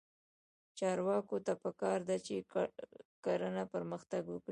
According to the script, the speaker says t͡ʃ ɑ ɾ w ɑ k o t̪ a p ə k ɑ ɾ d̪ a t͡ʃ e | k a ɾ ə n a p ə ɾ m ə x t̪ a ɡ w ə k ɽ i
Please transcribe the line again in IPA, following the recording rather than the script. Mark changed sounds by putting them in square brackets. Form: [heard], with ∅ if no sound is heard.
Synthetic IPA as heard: t͡ʃ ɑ ɾ w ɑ k o t̪ a p ə k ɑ ɾ d̪ a t͡ʃ e | k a ɾ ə n a p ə ɾ m ə x t̪ a ɡ w ə k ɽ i